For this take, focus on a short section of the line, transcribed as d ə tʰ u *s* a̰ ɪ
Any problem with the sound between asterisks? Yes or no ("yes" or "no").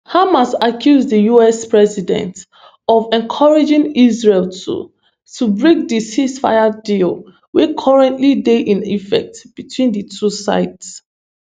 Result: no